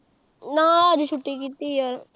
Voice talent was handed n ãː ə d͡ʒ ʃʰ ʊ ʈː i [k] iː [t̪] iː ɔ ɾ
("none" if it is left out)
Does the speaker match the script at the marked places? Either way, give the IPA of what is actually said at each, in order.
k, t̪

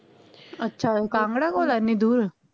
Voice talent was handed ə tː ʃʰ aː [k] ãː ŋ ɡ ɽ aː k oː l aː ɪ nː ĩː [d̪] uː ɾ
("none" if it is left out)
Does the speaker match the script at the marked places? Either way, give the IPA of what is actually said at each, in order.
k, d̪

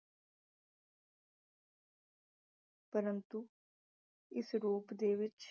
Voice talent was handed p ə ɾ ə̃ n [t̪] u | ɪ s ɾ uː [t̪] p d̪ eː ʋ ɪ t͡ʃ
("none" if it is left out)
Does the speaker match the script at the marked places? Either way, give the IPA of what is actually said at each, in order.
t̪, none

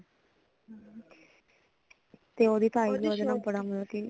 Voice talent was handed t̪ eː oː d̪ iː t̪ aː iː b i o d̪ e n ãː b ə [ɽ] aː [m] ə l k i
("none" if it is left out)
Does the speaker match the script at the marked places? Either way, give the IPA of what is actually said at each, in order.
ɽ, m

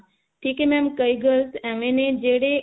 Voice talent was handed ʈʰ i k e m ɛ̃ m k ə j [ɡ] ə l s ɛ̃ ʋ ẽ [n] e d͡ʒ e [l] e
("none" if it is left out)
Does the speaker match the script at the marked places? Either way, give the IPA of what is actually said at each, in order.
ɡ, n, ɽ

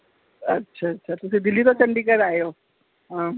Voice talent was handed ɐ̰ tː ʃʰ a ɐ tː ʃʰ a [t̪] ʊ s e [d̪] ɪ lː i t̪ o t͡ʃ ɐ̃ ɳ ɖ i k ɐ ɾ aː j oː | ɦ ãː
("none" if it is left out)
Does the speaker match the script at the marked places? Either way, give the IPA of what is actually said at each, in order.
t̪, d̪

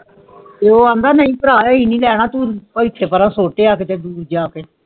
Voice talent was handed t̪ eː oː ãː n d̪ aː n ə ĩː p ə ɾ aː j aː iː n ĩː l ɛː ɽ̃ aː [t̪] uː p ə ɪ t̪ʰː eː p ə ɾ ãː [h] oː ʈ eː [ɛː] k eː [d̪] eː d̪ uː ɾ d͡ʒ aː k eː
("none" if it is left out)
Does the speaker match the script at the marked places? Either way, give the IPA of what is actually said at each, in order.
t̪, s, aː, t̪

